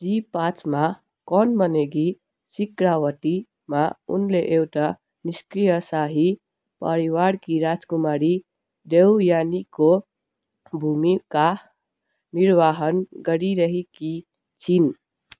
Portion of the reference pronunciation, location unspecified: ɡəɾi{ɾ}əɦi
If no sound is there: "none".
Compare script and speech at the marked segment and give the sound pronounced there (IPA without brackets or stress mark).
ɾ